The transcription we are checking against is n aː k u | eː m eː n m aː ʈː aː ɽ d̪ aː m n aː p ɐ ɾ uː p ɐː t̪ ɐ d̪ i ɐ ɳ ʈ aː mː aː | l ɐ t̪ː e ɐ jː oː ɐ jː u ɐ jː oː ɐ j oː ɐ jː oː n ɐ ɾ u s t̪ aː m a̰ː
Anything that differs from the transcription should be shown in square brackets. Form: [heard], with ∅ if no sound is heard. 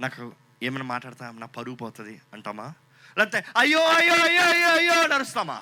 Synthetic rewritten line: n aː k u | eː m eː n m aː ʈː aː ɽ [t̪] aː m n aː p ɐ ɾ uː p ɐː t̪ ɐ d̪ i ɐ ɳ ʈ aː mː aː | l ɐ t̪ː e ɐ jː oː ɐ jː [o] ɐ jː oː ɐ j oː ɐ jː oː n ɐ ɾ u s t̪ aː m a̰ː